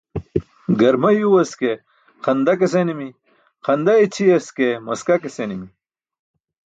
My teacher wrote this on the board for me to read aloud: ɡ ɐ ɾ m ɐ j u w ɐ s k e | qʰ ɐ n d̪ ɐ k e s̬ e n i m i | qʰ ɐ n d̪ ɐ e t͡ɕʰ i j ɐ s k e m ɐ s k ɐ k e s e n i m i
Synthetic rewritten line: ɡ ɐ ɾ m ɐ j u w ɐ s k e | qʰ ɐ n d̪ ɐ k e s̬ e n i m i | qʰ ɐ n d̪ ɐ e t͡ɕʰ i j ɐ s k e m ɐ s k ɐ k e s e n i m i